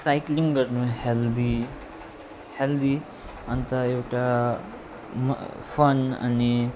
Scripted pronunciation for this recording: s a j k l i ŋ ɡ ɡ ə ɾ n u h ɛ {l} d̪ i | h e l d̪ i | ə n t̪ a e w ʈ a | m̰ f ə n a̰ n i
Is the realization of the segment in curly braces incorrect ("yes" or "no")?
no